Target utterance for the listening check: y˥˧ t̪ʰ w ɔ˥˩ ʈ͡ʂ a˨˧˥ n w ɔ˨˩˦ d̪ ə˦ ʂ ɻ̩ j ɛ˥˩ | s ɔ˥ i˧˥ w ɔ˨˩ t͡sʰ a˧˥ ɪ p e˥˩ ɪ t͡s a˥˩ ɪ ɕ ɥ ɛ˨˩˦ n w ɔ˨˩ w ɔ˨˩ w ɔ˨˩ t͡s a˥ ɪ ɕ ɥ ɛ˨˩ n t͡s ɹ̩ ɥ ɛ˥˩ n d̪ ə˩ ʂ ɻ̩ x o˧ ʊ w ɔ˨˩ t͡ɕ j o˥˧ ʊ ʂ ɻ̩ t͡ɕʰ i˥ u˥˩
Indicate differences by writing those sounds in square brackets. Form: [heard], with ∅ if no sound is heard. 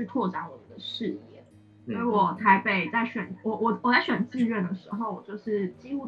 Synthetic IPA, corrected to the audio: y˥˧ t̪ʰ w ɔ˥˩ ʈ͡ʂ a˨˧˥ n w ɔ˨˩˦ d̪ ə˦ ʂ ɻ̩ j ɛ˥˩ | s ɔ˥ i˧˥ w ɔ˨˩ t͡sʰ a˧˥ ɪ p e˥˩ ɪ t͡s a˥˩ ɪ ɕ ɥ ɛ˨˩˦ n w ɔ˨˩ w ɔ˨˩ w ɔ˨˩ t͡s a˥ ɪ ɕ ɥ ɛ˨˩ n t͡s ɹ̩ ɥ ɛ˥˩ n d̪ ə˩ ʂ ɻ̩ x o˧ ʊ w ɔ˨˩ t͡ɕ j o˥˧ ʊ ʂ ɻ̩ [t͡ɕ] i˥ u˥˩